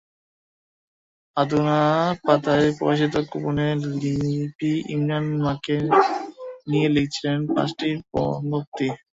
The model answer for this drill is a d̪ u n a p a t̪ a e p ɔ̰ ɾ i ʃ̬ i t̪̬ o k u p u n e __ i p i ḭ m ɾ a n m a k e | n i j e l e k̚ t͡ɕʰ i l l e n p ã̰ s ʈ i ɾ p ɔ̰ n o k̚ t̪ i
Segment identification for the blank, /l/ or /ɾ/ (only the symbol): l